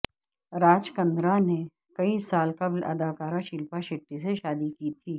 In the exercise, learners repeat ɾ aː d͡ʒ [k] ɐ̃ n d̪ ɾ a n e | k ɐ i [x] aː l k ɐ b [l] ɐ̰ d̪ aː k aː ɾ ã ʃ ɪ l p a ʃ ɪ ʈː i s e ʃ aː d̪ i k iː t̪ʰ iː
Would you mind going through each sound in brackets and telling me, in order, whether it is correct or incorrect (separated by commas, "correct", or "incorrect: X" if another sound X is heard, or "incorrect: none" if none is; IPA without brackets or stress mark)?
correct, incorrect: s, correct